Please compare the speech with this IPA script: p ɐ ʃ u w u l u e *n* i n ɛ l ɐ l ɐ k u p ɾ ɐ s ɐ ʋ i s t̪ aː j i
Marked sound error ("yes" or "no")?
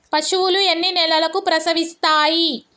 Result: yes